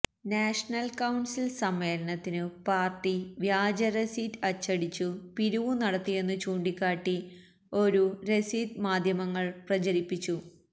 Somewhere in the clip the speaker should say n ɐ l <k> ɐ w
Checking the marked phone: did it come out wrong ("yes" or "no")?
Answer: no